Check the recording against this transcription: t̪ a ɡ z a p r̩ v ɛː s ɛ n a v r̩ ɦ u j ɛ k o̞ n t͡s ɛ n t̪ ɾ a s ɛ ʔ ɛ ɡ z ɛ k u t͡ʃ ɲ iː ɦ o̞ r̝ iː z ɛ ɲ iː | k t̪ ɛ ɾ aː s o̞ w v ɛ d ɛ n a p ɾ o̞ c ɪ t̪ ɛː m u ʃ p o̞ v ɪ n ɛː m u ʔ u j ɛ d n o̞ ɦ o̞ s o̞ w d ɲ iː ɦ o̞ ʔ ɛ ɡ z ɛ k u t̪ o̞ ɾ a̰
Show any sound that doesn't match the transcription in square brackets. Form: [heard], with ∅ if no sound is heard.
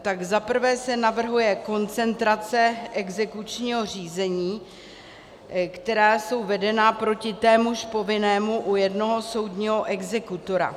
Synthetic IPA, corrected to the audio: t̪ a ɡ z a p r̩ v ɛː s ɛ n a v r̩ ɦ u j ɛ k o̞ n t͡s ɛ n t̪ ɾ a [t͡s] ɛ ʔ ɛ ɡ z ɛ k u t͡ʃ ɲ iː ɦ o̞ r̝ iː z ɛ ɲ iː | k t̪ ɛ ɾ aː s o̞ w v ɛ d ɛ n a p ɾ o̞ c ɪ t̪ ɛː m u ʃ p o̞ v ɪ n ɛː m u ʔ u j ɛ d n o̞ ɦ o̞ s o̞ w d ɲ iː ɦ o̞ ʔ ɛ ɡ z ɛ k u t̪ o̞ ɾ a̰